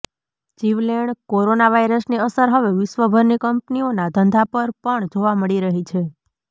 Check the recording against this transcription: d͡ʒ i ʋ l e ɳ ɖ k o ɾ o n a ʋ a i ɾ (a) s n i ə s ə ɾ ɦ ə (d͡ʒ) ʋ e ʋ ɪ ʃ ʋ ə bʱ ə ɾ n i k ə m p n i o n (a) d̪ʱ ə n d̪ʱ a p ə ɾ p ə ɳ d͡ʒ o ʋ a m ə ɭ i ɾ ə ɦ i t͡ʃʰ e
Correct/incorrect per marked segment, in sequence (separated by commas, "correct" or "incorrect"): incorrect, incorrect, correct